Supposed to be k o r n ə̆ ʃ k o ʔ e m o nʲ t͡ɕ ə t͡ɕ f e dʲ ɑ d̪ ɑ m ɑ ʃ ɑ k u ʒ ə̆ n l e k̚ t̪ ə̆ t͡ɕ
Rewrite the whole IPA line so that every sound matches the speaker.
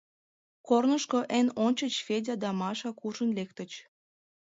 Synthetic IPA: k o r n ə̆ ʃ k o ʔ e n o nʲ t͡ɕ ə t͡ɕ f e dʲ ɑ d̪ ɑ m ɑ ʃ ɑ k u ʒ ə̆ n l e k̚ t̪ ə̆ t͡ɕ